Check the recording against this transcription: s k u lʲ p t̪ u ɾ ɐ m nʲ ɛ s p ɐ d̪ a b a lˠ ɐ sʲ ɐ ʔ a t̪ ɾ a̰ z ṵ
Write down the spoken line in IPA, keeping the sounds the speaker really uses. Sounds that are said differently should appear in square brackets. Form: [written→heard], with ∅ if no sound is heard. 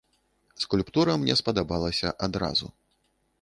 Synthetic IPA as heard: s k u lʲ p t̪ u ɾ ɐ m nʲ ɛ s p ɐ d̪ a b a lˠ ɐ sʲ ɐ ʔ a [t̪→d̪] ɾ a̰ z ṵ